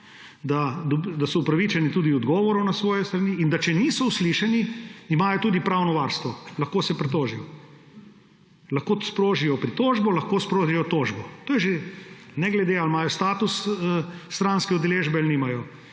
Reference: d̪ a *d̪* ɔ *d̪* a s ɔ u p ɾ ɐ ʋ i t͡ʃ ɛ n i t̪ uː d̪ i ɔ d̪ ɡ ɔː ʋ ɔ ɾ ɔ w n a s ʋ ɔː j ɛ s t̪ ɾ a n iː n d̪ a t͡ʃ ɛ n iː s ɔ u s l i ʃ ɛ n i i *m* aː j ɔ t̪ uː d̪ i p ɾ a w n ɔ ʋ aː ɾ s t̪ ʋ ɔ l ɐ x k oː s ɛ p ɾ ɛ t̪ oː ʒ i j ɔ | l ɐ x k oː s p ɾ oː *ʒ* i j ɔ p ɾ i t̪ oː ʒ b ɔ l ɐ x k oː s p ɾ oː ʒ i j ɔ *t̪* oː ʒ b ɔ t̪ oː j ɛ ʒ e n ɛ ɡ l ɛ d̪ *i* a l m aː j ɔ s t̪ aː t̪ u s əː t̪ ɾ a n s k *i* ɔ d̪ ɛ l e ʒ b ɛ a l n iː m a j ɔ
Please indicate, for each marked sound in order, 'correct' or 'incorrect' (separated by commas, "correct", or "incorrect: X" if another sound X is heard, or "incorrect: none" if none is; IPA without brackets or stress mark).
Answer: correct, correct, correct, correct, correct, incorrect: e, incorrect: ɛ